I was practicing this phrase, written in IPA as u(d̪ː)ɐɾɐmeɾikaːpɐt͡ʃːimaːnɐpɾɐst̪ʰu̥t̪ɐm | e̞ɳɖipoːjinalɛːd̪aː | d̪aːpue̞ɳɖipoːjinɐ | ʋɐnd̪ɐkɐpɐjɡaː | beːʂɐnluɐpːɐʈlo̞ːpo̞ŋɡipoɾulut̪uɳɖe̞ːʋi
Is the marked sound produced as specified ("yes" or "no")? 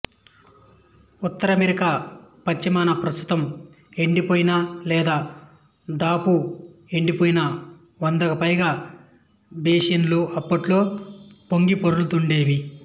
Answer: no